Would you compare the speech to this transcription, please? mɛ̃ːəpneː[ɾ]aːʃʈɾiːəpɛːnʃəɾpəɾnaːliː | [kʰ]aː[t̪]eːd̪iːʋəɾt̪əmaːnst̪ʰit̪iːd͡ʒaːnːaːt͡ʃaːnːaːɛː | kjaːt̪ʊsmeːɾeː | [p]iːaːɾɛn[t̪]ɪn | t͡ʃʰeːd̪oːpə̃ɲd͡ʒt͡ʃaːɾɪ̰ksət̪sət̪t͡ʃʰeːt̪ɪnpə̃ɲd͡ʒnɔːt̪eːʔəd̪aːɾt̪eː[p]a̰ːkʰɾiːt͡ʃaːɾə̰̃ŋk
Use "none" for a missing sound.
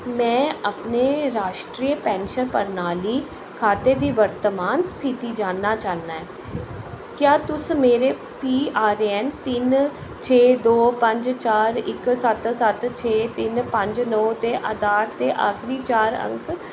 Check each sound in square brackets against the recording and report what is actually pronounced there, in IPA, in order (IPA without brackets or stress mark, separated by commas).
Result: ɾ, kʰ, t̪, p, t̪, ʔ